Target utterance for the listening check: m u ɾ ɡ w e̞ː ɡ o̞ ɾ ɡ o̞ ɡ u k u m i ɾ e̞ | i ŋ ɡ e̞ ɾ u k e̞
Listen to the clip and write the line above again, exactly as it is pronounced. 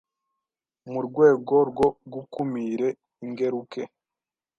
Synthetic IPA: m u ɾ ɡ w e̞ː ɡ o̞ ɾ ɡ o̞ ɡ u k u m i ɾ e̞ | i ŋ ɡ e̞ ɾ u k e̞